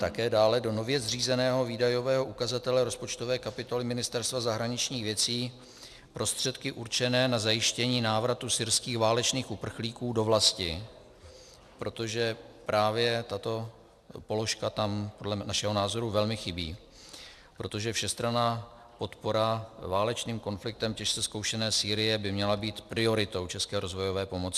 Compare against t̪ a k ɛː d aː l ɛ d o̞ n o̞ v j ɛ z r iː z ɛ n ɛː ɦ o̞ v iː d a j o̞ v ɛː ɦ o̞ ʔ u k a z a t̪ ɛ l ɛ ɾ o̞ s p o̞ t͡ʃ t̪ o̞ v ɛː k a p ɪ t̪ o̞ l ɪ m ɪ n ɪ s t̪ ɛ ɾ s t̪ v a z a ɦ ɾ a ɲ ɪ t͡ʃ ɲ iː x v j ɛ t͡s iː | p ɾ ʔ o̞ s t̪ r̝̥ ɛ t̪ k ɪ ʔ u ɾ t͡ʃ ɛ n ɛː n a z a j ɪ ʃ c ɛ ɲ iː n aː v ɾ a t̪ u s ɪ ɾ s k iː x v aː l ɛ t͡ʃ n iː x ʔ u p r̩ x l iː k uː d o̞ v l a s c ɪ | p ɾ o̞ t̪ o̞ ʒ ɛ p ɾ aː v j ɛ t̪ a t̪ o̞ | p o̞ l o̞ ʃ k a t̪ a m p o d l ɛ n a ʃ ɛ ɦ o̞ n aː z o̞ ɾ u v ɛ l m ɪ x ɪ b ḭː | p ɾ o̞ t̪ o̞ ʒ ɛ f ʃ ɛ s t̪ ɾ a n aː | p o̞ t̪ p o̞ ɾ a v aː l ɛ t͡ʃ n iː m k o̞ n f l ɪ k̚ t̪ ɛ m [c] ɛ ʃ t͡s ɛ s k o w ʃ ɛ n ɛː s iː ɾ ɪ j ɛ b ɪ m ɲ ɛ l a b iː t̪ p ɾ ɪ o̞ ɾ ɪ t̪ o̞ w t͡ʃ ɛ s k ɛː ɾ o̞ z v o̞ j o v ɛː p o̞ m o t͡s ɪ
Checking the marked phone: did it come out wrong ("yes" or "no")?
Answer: no